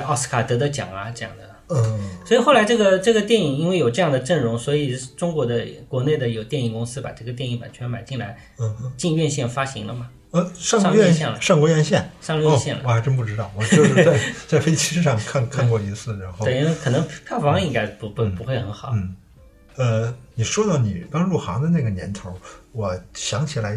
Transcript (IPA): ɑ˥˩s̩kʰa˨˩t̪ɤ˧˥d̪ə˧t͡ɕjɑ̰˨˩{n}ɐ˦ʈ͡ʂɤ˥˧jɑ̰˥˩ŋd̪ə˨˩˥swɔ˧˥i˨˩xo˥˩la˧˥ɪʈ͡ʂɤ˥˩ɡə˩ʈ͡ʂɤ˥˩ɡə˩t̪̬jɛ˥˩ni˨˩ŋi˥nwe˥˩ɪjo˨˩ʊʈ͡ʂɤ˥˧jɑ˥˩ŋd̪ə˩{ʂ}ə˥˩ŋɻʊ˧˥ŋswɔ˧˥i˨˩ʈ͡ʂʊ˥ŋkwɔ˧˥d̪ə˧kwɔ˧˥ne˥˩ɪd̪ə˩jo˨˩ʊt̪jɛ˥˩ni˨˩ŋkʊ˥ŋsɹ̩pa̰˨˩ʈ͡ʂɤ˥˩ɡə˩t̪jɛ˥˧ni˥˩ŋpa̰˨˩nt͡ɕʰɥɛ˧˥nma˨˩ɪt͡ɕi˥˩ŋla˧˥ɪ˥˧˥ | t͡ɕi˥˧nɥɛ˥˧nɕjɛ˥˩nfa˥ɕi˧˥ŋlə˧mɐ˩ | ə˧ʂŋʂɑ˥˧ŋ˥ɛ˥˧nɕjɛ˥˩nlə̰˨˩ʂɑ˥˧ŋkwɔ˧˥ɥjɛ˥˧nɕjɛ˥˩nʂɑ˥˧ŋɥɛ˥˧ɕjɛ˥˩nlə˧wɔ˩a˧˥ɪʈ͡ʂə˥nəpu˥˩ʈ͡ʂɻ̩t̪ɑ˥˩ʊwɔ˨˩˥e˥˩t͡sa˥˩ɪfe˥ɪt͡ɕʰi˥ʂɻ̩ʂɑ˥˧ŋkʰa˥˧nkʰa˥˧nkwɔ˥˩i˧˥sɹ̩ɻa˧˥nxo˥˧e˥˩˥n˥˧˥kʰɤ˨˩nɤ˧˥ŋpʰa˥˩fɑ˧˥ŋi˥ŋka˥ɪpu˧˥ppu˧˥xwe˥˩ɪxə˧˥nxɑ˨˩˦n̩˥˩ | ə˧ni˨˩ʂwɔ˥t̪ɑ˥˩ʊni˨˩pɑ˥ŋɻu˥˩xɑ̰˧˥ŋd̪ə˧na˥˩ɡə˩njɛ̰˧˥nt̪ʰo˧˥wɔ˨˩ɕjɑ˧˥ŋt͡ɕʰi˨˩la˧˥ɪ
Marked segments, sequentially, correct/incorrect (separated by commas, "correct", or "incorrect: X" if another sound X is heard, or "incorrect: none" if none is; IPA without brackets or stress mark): incorrect: ŋ, incorrect: ʈ͡ʂ